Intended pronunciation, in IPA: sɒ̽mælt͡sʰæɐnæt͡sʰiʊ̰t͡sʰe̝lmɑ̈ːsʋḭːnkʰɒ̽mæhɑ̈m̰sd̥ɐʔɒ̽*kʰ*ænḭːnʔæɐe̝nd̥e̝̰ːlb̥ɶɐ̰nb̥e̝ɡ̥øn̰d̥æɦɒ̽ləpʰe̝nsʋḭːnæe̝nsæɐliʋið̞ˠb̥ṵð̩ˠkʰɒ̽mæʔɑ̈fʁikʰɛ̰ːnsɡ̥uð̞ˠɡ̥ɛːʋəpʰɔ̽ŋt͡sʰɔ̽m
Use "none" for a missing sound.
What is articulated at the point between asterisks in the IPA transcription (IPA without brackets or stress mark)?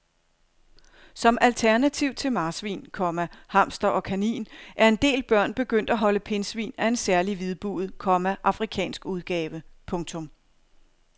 kʰ